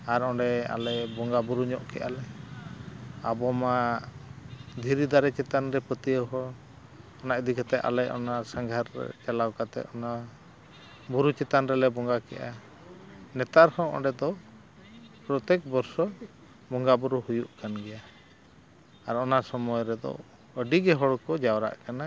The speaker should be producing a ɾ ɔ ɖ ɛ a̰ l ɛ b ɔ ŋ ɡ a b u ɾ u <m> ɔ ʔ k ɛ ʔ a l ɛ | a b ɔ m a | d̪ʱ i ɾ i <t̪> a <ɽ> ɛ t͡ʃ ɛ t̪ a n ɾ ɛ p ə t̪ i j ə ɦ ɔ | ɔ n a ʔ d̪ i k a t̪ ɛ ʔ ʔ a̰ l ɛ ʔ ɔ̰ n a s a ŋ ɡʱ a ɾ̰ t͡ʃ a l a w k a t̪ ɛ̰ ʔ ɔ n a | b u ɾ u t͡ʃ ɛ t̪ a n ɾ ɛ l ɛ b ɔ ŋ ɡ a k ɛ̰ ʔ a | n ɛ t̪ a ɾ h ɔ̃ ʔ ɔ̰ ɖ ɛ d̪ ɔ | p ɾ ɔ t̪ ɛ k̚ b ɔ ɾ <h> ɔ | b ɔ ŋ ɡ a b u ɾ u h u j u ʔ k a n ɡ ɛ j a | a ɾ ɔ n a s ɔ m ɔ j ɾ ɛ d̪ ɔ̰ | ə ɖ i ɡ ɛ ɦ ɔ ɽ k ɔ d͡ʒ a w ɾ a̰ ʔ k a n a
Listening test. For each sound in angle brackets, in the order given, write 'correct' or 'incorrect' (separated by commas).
incorrect, incorrect, incorrect, incorrect